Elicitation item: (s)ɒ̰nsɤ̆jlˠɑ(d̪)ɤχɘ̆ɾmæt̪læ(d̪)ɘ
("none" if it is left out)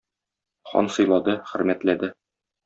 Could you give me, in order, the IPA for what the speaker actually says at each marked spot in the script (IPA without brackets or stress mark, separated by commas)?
χ, d̪, d̪